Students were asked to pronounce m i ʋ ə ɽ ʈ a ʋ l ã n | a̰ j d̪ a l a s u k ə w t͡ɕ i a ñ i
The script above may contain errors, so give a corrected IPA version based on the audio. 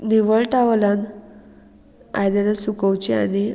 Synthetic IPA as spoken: n i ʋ ə ɭ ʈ a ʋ l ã n | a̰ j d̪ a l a s u k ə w t͡ɕ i a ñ i